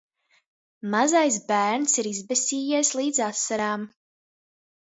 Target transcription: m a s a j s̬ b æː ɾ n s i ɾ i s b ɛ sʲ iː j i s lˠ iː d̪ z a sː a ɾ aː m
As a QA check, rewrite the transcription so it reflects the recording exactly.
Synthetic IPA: m a z a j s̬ b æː ɾ n s i ɾ i z b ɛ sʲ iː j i s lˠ iː d̪ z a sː a ɾ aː m